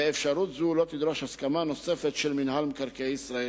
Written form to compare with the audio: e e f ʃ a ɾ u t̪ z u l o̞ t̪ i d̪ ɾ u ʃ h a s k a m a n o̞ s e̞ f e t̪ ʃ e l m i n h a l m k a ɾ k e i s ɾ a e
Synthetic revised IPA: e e f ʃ a ɾ u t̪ z u l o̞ t̪ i d̪ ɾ o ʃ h a s k a m a n o̞ s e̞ f e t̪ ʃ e l m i n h a l m k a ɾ k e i s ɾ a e